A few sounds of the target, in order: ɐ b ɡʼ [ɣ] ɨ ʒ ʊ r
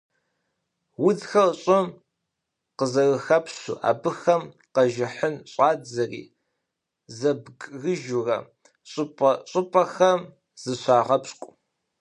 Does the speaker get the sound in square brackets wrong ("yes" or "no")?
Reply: no